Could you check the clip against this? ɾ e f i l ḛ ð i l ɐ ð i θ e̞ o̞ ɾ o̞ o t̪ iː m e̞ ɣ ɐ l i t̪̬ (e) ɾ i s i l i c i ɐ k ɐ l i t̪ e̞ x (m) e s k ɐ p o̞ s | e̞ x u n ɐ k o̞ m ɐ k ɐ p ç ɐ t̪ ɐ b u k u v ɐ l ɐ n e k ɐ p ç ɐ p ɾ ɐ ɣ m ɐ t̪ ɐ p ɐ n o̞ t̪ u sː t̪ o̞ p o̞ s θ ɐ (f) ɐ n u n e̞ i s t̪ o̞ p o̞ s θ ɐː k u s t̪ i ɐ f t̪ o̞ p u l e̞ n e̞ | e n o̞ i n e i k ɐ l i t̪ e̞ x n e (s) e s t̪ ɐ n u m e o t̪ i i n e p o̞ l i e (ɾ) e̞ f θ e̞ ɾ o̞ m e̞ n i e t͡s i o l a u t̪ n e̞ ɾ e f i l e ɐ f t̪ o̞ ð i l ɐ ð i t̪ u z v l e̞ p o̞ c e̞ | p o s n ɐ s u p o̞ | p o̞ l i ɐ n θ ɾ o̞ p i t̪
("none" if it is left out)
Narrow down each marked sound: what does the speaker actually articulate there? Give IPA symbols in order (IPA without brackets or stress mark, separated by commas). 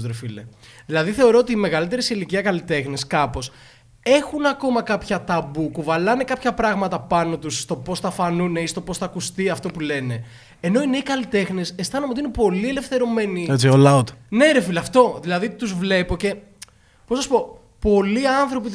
e, n, f, s, l